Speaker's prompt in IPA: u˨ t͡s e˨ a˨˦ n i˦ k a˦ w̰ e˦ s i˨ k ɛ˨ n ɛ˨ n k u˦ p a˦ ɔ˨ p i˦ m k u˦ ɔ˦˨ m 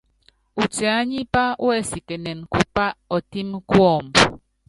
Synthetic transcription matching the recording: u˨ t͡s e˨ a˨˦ ɲ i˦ p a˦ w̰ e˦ s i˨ k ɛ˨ n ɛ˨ n k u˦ p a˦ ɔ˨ t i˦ m k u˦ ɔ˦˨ m